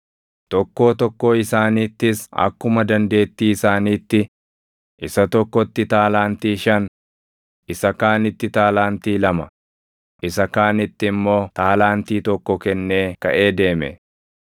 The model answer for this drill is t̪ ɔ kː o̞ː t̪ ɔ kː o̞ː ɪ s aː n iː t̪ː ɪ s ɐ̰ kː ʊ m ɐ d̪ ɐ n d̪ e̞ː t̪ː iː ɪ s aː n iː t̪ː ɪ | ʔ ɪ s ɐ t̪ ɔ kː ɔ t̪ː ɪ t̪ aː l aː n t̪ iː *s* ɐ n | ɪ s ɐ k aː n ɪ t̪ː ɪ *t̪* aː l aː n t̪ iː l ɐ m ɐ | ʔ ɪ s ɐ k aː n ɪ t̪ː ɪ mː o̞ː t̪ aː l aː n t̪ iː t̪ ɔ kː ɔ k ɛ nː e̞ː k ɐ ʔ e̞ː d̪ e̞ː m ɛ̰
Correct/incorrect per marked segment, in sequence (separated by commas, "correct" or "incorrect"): incorrect, correct